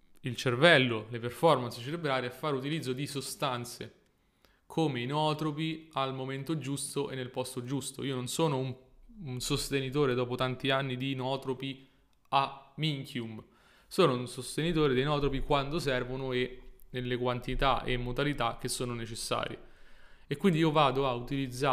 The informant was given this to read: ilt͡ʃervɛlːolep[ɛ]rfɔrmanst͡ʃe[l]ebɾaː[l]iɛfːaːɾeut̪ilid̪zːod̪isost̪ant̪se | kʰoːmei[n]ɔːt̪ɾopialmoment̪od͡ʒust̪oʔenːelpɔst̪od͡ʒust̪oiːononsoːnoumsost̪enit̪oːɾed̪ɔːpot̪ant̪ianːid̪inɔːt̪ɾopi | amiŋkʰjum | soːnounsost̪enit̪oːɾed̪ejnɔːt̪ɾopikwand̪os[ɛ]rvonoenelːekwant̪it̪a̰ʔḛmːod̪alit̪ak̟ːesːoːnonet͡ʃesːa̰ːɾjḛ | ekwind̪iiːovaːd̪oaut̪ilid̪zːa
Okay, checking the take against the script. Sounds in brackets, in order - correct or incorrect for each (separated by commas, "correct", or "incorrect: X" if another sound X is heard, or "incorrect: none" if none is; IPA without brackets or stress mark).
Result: incorrect: e, incorrect: ɾ, incorrect: ɾ, correct, correct